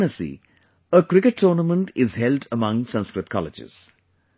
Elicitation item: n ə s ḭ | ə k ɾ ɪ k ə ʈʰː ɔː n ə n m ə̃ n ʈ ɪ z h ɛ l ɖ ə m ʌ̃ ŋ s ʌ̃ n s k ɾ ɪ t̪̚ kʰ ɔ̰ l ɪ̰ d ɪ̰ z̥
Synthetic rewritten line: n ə s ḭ | ə k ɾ ɪ k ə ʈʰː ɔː n ə m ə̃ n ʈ ɪ z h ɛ l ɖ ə m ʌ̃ ŋ s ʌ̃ n s k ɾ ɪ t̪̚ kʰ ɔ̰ l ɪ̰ d͡ʒ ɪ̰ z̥